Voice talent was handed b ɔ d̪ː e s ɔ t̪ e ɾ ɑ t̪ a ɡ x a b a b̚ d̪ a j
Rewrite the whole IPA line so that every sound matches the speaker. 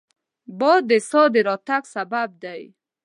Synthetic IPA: b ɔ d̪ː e s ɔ d̪ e ɾ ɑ t̪ a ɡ s a b a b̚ d̪ a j